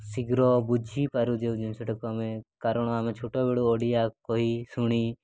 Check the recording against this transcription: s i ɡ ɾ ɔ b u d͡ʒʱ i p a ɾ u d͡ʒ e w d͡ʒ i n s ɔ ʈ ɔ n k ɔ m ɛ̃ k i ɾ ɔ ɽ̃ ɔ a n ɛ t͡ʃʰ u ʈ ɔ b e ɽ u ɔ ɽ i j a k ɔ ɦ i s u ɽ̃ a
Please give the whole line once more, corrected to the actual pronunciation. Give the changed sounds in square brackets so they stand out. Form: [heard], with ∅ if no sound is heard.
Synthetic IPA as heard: s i ɡ ɾ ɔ b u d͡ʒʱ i p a ɾ u d͡ʒ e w d͡ʒ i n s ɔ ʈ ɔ [∅] k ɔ m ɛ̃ k [a] ɾ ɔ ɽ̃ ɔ a [m] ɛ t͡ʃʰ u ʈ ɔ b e ɽ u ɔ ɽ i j a k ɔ ɦ i s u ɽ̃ [i]